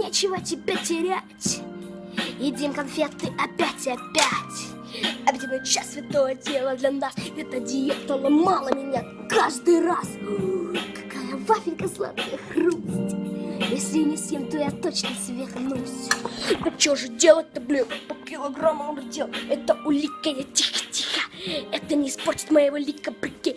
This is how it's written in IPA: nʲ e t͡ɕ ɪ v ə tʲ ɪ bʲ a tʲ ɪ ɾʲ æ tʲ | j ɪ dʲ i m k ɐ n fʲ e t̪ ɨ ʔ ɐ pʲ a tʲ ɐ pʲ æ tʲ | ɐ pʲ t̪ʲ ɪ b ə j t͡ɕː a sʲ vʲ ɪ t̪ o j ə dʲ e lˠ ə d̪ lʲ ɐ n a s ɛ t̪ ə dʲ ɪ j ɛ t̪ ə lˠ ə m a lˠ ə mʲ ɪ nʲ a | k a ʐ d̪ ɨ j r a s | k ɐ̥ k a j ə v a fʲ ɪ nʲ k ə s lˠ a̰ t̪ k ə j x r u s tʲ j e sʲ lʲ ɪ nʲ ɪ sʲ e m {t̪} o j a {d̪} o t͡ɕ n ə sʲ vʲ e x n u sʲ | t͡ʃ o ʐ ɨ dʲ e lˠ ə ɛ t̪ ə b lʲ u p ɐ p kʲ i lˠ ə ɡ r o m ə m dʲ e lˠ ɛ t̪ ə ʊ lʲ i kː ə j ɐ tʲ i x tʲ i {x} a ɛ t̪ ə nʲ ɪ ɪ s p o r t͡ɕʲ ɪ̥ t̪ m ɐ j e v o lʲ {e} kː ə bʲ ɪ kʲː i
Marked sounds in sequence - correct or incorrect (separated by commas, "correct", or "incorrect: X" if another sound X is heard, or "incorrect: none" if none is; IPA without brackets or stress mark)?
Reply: correct, incorrect: t̪, correct, incorrect: i